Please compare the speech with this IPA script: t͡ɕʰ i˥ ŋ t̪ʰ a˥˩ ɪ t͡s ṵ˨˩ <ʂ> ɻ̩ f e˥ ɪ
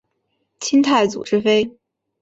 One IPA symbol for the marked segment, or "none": ʈ͡ʂ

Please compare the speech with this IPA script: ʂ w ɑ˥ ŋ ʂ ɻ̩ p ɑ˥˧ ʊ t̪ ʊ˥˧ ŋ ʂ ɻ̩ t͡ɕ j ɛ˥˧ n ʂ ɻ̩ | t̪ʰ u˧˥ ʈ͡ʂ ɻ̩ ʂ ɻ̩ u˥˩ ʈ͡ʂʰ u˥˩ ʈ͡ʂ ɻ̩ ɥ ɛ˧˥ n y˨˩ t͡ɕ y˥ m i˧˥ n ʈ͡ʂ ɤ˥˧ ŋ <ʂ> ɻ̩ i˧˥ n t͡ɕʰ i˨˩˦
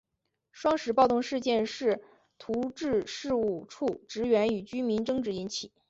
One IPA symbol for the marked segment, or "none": ʈ͡ʂ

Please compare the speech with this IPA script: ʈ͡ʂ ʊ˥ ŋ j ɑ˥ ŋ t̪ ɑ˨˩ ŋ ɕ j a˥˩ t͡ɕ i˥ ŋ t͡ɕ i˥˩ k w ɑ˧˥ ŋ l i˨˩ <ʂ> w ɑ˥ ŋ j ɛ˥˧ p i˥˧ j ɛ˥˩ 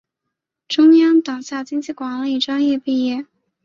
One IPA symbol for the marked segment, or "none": ʈ͡ʂ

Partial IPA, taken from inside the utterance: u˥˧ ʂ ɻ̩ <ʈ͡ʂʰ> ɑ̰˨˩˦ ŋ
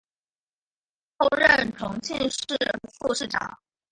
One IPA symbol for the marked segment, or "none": ʈ͡ʂ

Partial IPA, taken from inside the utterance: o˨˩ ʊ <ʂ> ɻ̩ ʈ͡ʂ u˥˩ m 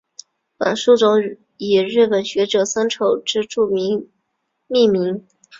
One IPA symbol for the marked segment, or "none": ʈ͡ʂ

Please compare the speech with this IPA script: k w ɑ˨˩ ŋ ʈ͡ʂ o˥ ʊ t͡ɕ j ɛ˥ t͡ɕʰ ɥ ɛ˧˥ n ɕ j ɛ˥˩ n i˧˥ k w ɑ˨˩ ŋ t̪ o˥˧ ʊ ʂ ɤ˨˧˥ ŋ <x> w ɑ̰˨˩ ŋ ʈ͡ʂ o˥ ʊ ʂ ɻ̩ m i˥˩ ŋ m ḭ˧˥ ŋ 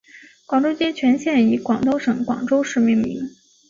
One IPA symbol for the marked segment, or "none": k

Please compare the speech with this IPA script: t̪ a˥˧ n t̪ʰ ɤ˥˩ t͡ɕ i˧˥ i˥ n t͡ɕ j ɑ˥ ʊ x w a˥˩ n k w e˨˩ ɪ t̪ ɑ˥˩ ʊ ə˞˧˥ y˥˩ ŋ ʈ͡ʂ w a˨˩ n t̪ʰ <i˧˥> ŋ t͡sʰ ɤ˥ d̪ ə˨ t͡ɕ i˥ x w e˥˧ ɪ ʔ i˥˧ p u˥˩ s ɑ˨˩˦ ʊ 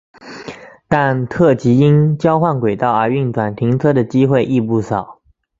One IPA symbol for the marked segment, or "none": i˧˥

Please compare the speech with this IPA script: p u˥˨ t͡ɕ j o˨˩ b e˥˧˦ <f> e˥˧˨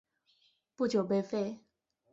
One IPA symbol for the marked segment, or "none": f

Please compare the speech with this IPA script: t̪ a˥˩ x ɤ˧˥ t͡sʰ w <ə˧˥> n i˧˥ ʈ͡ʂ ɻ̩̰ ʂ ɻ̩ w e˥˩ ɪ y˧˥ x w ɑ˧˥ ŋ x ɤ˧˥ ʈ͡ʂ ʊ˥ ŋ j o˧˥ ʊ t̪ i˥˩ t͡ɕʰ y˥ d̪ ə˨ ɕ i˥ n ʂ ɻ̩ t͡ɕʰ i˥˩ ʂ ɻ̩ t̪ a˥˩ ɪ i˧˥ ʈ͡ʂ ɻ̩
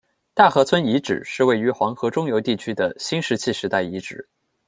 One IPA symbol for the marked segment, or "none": ə˥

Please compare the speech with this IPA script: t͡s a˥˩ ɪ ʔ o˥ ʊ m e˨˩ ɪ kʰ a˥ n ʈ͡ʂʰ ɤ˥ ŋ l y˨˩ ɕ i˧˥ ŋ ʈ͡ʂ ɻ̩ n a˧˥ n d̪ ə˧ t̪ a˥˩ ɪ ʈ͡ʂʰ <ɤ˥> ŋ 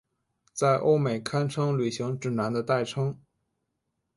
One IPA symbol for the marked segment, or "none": ɤ˥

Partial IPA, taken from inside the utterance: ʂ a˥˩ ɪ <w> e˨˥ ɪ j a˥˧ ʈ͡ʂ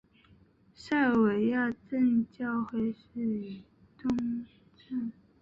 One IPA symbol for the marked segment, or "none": w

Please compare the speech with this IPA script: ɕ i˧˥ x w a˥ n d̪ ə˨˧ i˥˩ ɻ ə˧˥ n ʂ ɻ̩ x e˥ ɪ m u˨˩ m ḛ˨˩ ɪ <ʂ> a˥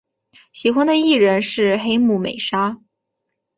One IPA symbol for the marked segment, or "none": ʂ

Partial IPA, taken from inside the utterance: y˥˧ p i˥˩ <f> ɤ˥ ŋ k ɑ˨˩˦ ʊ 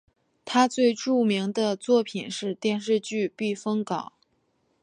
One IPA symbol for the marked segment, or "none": f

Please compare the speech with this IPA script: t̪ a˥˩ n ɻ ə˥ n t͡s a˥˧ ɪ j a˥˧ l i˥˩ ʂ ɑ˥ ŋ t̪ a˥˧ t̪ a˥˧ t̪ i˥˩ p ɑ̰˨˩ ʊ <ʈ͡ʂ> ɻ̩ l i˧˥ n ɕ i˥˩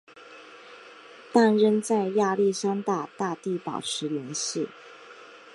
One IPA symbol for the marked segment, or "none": ʈ͡ʂʰ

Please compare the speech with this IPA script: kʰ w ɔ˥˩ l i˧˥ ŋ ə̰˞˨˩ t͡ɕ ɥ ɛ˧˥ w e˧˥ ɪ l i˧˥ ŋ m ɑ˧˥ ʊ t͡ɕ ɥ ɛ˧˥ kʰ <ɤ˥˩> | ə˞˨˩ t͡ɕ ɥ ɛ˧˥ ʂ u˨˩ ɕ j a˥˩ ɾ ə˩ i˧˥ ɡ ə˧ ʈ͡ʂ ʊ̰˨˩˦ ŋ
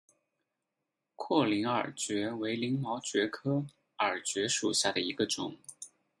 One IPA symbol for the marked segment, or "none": ɤ˥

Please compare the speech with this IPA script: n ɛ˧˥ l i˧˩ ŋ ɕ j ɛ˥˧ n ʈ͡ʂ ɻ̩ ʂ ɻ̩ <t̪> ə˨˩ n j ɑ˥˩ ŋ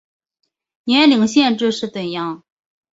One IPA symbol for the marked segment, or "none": t̪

